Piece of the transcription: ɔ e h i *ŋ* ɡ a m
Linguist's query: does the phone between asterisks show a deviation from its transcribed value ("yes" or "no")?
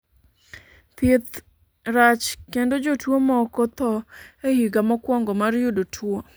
yes